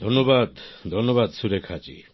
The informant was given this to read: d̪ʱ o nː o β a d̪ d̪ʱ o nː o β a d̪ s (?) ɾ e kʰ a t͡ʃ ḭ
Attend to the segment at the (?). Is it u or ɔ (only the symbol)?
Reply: u